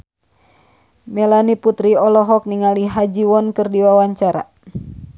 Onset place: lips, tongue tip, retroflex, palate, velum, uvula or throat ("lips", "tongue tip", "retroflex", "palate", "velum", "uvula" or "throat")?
lips